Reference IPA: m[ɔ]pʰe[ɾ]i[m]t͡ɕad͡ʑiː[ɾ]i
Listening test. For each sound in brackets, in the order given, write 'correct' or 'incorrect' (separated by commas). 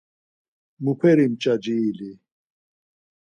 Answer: incorrect, correct, correct, incorrect